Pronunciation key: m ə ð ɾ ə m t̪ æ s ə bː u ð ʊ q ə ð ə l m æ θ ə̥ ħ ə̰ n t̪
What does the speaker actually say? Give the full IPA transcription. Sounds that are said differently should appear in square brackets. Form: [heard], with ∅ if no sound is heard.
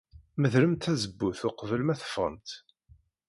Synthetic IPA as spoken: m ə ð ɾ ə m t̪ æ [z] ə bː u [θ] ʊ q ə [v] ə l m æ θ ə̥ [f] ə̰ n t̪